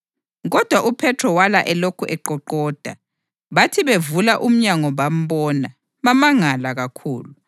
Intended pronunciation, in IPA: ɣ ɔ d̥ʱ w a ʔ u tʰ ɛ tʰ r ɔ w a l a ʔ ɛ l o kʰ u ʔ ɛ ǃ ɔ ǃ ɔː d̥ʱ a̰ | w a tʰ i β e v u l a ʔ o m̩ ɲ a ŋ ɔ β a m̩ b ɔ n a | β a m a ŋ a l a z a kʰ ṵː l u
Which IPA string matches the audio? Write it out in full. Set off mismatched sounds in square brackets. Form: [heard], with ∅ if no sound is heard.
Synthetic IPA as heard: ɣ ɔ d̥ʱ w a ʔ u [pʰ] ɛ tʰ r ɔ w a l a ʔ ɛ l o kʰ u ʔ ɛ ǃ ɔ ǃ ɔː d̥ʱ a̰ | [β] a tʰ i β e v u l a ʔ [u] m̩ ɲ a ŋ ɔ β a m̩ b ɔ n a | β a m a ŋ a l a [ɣ] a kʰ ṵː l u